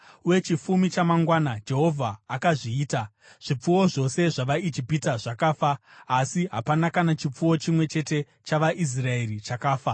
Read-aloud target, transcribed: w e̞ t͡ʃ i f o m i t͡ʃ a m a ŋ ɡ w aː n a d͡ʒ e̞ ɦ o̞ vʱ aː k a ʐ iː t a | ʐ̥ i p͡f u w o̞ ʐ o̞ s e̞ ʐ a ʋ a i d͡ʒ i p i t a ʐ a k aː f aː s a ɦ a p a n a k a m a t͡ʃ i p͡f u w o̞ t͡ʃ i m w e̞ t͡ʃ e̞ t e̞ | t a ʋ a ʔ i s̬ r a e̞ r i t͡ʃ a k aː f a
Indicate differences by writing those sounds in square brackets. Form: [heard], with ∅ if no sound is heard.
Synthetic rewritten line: w e̞ t͡ʃ i f [u] m i t͡ʃ a m a ŋ ɡ w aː n a d͡ʒ e̞ ɦ o̞ vʱ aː k a ʐ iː t a | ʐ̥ i p͡f u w o̞ ʐ o̞ s e̞ ʐ a ʋ a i d͡ʒ i p i t a ʐ a k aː f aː s [i] ɦ a p a n a k a [n] a t͡ʃ i p͡f u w o̞ t͡ʃ i m w e̞ t͡ʃ e̞ t e̞ | [t͡ʃ] a ʋ a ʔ i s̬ r a e̞ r i t͡ʃ a k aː f a